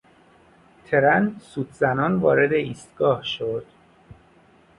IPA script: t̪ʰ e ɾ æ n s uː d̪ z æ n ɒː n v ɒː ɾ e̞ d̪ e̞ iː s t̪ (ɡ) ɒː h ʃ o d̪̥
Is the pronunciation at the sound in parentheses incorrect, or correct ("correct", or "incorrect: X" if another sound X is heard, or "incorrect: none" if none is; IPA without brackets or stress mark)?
correct